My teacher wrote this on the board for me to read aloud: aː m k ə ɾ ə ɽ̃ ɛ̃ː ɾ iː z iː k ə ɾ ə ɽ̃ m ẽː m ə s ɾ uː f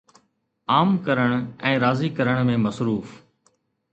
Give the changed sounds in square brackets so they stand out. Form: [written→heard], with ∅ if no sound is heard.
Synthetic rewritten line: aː m k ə ɾ ə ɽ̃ ɛ̃ː ɾ [iː→aː] z iː k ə ɾ ə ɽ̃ m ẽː m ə s ɾ uː f